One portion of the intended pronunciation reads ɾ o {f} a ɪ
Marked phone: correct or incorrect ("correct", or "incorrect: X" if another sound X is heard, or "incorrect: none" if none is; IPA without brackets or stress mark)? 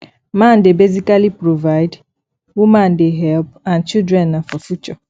incorrect: v